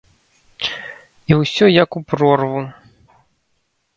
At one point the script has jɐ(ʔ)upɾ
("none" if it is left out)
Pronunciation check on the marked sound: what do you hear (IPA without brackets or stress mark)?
k